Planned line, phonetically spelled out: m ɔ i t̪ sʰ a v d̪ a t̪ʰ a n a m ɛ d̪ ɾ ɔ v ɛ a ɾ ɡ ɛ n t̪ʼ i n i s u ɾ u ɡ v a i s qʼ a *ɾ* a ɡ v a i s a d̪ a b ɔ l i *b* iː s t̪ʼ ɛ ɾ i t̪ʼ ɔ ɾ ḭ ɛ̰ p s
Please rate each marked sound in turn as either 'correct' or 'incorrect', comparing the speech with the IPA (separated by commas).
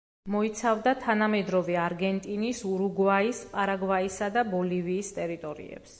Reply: correct, incorrect